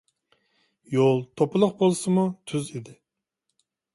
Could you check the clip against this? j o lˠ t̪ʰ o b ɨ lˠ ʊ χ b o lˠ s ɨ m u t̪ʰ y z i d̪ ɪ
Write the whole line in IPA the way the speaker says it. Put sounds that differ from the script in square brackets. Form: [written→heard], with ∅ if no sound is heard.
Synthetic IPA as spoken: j o lˠ t̪ʰ o [b→p] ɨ lˠ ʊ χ b o lˠ s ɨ m u t̪ʰ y z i d̪ ɪ